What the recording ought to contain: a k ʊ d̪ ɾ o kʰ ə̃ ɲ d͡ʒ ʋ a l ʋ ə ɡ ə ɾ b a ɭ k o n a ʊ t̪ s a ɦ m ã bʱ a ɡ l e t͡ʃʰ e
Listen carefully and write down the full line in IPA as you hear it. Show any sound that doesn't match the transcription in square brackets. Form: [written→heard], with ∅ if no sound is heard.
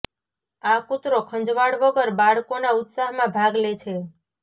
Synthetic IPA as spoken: a k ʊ [d̪→t̪] ɾ o kʰ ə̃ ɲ d͡ʒ ʋ a [l→ɽ] ʋ ə ɡ ə ɾ b a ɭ k o n a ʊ t̪ s a ɦ m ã bʱ a ɡ l e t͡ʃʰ e